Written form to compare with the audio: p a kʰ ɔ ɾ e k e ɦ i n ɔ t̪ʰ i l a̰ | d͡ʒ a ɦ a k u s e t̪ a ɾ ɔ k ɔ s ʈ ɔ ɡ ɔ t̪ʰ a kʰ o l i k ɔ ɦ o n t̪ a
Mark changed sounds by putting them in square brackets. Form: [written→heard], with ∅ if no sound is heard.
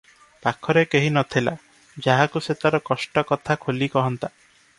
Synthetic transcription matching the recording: p a kʰ ɔ ɾ e k e ɦ i n ɔ t̪ʰ i l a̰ | d͡ʒ a ɦ a k u s e t̪ a ɾ ɔ k ɔ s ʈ ɔ [ɡ→k] ɔ t̪ʰ a kʰ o l i k ɔ ɦ [o→ɔ] n t̪ a